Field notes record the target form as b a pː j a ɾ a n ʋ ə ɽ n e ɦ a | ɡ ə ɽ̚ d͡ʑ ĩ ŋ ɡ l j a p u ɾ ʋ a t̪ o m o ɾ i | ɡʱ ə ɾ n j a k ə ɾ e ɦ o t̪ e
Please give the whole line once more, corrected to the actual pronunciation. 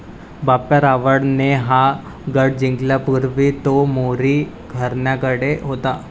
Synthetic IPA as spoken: b a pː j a ɾ a ʋ ə ɽ n e ɦ a | ɡ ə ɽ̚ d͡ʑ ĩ ŋ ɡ l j a p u ɾ ʋ i t̪ o m o ɾ i | ɡʱ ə ɾ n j a k ə ɽ e ɦ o t̪ a

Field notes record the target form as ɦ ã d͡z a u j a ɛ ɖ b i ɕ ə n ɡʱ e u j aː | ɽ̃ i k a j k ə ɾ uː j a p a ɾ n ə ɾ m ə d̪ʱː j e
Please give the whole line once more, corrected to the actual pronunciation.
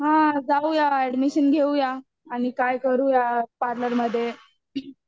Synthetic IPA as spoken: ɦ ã d͡z a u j a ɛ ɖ m i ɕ ə n ɡʱ e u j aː | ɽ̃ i k a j k ə ɾ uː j a p a ɾ n ə ɾ m ə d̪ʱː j e

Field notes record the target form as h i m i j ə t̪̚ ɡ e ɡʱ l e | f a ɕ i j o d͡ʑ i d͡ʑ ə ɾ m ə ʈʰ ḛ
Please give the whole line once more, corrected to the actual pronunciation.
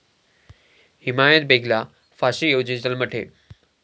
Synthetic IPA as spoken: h i m a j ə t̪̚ b e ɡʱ l a | f a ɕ i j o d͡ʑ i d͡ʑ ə l m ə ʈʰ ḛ

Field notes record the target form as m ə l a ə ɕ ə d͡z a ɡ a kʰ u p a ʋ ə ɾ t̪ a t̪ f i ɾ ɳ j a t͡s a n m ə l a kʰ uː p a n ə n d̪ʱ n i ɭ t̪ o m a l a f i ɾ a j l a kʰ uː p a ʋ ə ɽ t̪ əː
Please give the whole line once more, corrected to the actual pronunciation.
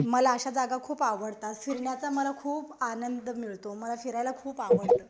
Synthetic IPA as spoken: m ə l a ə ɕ a d͡z a ɡ a kʰ uː p a ʋ ə ɽ t̪ a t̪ f i ɾ ɳ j a t͡s a m ə l a kʰ uː p a n ə n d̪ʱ m i ɭ t̪ o m ə l a f i ɾ a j l a kʰ uː p a ʋ ə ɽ t̪ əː

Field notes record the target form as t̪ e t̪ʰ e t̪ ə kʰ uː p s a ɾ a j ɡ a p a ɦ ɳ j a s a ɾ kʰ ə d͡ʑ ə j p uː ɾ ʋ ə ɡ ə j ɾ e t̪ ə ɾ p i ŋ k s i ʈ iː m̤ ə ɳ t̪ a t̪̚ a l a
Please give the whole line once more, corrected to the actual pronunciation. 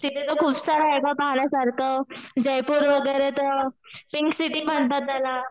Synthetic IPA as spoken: t̪ i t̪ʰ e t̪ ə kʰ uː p s a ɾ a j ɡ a p a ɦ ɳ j a s a ɾ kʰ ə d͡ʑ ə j p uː ɾ ʋ ə ɡ ə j ɾ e t̪ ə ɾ p i ŋ k s i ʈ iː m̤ ə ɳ t̪ a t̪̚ a l a

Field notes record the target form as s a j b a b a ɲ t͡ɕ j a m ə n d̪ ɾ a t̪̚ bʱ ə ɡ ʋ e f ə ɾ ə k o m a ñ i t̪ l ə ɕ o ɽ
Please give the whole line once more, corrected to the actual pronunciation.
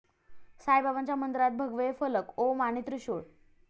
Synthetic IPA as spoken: s a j b a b a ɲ t͡ɕ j a m ə n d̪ ɾ a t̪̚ bʱ ə ɡ ʋ e f ə l ə k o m a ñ i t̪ ɾ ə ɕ o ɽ

